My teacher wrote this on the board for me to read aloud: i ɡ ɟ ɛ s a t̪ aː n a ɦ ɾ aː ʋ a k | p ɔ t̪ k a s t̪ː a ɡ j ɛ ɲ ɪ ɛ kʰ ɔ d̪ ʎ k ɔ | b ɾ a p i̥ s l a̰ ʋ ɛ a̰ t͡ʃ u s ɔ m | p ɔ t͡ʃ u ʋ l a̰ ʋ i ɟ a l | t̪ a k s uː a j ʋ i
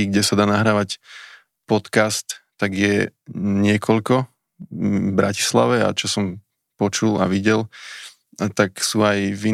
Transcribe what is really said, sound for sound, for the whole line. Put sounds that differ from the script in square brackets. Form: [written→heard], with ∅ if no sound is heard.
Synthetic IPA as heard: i ɡ ɟ ɛ s a [t̪→d̪] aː n a ɦ ɾ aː ʋ a [k→c] | p ɔ t̪ k a s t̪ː a ɡ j ɛ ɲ ɪ ɛ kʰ ɔ [d̪→∅] ʎ k ɔ | b ɾ a [p→c] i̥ s l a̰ ʋ ɛ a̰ t͡ʃ [u→ɔ] s ɔ m | p ɔ t͡ʃ u [ʋ→∅] l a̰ ʋ i ɟ [a→ɛ] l | t̪ a k s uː a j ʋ i